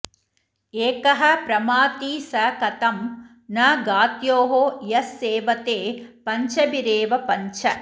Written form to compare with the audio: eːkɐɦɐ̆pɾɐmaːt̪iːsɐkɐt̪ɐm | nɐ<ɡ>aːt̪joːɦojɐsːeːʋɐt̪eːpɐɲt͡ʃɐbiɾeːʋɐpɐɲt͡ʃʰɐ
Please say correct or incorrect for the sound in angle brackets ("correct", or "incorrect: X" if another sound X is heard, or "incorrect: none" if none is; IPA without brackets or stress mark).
correct